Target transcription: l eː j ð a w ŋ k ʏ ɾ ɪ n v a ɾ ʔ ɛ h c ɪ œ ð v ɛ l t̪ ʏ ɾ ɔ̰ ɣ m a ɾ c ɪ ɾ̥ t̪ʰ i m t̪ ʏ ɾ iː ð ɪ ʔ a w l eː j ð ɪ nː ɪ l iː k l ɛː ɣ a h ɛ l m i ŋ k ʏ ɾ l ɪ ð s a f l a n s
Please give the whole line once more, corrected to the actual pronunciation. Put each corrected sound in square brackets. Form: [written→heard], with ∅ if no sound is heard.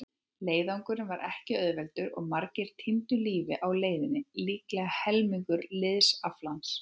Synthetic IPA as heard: l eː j ð a w ŋ k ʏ ɾ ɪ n v a ɾ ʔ ɛ h c ɪ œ ð v ɛ l t̪ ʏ ɾ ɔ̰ ɣ m a ɾ c ɪ ɾ̥ t̪ʰ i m t̪ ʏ [ɾ→l] iː [ð→v] ɪ ʔ a w l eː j ð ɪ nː ɪ l iː k l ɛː ɣ a h ɛ l m i ŋ k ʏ ɾ l ɪ ð s a f l a n s